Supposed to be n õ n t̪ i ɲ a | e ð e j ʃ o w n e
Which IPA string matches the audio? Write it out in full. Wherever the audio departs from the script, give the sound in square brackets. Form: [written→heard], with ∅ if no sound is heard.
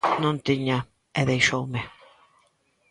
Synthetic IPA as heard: n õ n t̪ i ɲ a | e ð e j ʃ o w [n→m] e